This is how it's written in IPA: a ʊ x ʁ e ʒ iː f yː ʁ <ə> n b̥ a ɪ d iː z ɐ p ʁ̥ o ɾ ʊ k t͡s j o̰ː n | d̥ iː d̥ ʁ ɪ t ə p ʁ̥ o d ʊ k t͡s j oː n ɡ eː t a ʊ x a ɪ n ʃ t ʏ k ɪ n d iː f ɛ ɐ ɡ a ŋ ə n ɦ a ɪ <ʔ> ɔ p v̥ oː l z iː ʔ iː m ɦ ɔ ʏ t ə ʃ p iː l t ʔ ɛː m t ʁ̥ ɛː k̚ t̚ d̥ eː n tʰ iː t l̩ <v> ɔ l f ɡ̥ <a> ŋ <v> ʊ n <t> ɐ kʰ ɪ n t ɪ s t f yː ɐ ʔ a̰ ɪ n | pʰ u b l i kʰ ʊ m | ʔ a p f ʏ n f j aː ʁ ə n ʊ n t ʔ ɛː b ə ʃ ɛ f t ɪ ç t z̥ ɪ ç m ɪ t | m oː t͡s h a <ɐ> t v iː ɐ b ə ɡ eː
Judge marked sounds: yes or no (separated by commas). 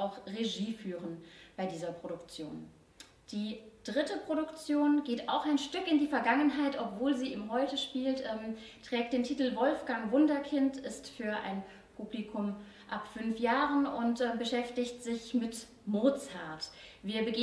yes, no, yes, yes, yes, no, yes